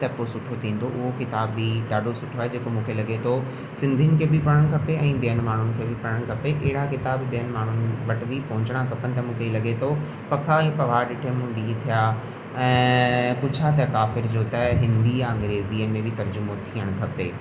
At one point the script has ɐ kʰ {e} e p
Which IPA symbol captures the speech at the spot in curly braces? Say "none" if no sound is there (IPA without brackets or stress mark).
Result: a